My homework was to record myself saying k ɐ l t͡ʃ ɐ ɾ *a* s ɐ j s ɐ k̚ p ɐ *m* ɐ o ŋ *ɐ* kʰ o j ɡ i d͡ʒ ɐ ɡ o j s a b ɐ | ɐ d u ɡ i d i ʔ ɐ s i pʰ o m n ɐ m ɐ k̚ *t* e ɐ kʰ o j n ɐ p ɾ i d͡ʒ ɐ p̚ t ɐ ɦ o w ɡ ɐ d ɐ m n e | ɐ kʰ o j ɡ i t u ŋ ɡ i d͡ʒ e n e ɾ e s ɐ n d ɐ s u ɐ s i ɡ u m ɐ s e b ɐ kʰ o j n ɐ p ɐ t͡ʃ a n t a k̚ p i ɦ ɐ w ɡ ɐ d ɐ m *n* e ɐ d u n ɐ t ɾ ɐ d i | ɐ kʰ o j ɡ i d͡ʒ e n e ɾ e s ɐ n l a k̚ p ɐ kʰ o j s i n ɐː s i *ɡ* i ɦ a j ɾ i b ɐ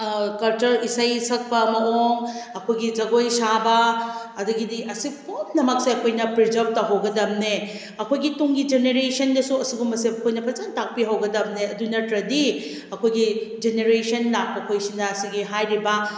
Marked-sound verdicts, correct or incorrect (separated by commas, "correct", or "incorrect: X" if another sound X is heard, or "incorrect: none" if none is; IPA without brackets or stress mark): incorrect: i, correct, correct, incorrect: s, correct, correct